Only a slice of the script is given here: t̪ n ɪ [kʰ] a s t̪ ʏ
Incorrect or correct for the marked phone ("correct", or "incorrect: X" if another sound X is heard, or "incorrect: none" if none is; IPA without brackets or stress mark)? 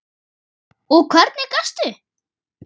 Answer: incorrect: k